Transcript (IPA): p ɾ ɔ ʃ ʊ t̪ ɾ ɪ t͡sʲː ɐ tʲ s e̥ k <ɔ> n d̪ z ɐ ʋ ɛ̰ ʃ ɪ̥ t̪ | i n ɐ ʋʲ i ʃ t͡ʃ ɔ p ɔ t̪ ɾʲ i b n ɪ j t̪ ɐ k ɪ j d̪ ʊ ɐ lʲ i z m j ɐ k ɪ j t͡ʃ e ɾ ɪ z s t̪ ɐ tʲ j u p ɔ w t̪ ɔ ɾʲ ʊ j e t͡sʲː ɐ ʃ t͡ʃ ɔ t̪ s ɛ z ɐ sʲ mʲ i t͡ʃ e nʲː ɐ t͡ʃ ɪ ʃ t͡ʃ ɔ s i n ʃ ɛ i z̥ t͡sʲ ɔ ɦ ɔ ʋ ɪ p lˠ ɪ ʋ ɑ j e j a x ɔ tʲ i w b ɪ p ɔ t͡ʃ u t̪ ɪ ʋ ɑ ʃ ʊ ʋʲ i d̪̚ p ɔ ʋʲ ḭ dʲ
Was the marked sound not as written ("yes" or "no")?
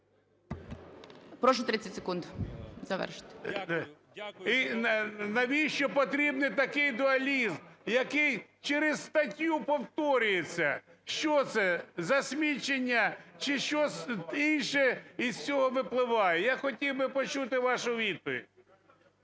yes